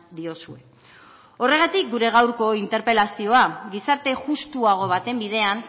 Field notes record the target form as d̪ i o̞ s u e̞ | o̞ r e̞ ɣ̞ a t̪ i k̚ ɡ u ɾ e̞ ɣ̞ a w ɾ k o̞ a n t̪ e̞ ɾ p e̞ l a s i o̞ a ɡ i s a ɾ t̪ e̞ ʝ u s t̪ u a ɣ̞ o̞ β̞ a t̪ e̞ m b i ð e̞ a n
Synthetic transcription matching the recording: d̪ i o̞ s u e̞ | o̞ r e̞ ɣ̞ a t̪ i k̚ ɡ u ɾ e̞ ɣ̞ a w ɾ k o̞ i n t̪ e̞ ɾ p e̞ l a s i o̞ a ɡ i s a ɾ t̪ e̞ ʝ u s t̪ u a ɣ̞ o̞ β̞ a t̪ e̞ m b i ð e̞ a n

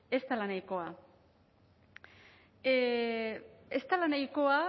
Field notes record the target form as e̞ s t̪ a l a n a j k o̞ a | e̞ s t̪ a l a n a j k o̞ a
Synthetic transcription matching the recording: e̞ s t̪ a l a n a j k o̞ a | e̞ s t̪ a l a n a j k o̞ a

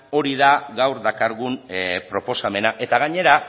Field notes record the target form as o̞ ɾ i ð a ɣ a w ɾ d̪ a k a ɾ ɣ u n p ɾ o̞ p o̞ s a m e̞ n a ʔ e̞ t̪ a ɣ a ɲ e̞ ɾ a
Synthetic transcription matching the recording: o̞ ɾ i ð a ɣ a w ɾ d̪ a k a ɾ ɣ u n p ɾ o̞ p o̞ s a m e̞ n a ʔ e̞ t̪ a ɣ a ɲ e̞ ɾ a

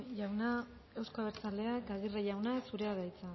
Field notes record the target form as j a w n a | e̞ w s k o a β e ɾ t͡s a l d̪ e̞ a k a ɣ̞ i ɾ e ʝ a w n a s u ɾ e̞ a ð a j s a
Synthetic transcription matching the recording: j a w n a | e̞ w s k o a β e ɾ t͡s a l d̪ e̞ a k a ɣ̞ i r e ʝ a w n a s u ɾ e̞ a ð a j t͡s a

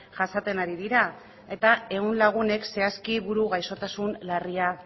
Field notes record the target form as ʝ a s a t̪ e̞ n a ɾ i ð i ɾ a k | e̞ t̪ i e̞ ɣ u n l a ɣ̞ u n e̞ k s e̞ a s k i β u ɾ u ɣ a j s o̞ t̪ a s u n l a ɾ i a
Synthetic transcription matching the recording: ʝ a s a t̪ e̞ n a ɾ i ð i ɾ a | e̞ t̪ a e̞ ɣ u n l a ɣ̞ u n e̞ k s e̞ a s k i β u ɾ u ɣ a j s o̞ t̪ a s u n l a r i a

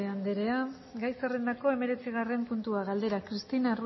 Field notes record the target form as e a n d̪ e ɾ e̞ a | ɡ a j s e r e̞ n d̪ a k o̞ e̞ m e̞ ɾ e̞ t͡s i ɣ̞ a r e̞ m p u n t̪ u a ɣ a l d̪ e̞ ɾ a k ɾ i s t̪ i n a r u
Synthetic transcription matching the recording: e a n d̪ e ɾ e̞ a | ɡ a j s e r e̞ n d̪ a k o̞ e̞ m e̞ ɾ e̞ t͡s i ɣ̞ a r e̞ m p u n t̪ u a ɣ a l d̪ e̞ ɾ a k ɾ i s t̪ i n a r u

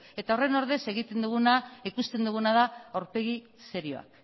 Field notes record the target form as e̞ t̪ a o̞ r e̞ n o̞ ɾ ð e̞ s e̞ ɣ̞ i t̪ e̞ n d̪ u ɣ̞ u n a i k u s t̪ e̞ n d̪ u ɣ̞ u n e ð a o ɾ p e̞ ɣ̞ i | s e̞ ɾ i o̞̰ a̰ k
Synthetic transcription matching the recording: e̞ t̪ a o̞ r e̞ n o̞ ɾ ð e̞ s e̞ ɣ̞ i t̪ e̞ n d̪ u ɣ̞ u n a i k u s t̪ e̞ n d̪ u ɣ̞ u n a ð a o ɾ p e̞ ɣ̞ i | s e̞ ɾ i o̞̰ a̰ k

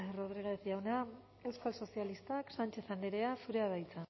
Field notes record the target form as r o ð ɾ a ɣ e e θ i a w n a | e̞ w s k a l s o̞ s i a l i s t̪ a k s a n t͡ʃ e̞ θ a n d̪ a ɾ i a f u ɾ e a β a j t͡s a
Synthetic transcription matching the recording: r o ð ɾ i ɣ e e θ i a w n a | e̞ w s k a l s o̞ s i a l i s t̪ a k s a n t͡ʃ e̞ θ a n d̪ e ɾ e a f u ɾ e a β a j t͡s a

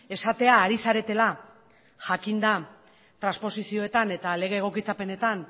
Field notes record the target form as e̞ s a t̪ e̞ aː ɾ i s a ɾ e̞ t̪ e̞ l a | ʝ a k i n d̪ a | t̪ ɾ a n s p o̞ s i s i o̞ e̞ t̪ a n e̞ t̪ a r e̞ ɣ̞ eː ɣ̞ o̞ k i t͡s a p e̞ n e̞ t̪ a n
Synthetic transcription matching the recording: e̞ s a t̪ e̞ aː ɾ i s a ɾ e̞ t̪ e̞ l a | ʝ a k i n d̪ a | t̪ ɾ a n s p o̞ s i s i o̞ e̞ t̪ a n e̞ t̪ a l e̞ ɣ̞ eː ɣ̞ o̞ k i t͡s a p e̞ n e̞ t̪ a n

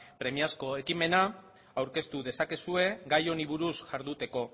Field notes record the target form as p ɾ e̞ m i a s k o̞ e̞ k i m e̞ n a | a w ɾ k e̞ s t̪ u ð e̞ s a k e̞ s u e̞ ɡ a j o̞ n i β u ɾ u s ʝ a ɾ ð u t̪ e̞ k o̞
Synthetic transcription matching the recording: p ɾ e̞ m i a s k o̞ e̞ k i m e̞ n a | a w ɾ k e̞ s t̪ u ð e̞ s a k e̞ s u e̞ ɡ a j o̞ n i β u ɾ u s ʝ a ɾ ð u t̪ e̞ k o̞

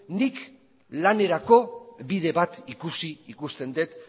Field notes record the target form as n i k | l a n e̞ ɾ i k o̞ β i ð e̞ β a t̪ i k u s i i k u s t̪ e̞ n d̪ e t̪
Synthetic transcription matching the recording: n i k | l a n e̞ ɾ a k o̞ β i ð e̞ β a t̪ i k u s i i k u s t̪ e̞ n d̪ e t̪

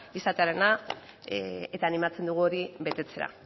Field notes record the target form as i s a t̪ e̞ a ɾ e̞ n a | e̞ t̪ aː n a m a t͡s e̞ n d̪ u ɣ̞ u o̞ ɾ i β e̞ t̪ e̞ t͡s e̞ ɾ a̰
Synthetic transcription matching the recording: i s a t̪ e̞ a ɾ e̞ n a | e̞ t̪ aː n i m a t͡s e̞ n d̪ u ɣ̞ u o̞ ɾ i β e̞ t̪ e̞ t͡s e̞ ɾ a̰

